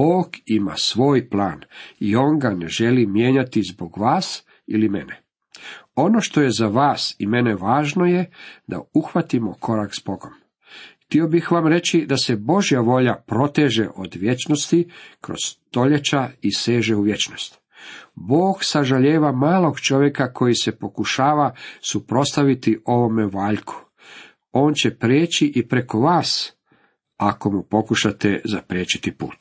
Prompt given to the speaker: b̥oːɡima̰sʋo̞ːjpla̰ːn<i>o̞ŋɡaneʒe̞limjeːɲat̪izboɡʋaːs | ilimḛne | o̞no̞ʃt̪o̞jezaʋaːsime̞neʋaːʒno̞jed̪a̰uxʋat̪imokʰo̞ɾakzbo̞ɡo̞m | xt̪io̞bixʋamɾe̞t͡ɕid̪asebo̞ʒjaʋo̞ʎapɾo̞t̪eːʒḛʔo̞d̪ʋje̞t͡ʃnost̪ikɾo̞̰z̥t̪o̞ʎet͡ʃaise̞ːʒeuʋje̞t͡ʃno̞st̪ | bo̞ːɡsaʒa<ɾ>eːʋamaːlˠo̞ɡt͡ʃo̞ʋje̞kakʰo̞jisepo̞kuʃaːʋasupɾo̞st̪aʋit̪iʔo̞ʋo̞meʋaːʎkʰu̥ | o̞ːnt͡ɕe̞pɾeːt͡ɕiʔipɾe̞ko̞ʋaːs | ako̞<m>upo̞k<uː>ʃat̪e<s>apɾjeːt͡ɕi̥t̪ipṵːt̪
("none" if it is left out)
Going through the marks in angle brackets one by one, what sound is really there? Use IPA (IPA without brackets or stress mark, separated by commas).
i, ʎ, m, u, z